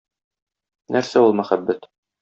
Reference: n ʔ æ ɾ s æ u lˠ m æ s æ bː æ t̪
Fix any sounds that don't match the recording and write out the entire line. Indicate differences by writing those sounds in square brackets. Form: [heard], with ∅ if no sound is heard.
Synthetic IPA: n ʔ æ ɾ s æ u lˠ m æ [χ] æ bː æ t̪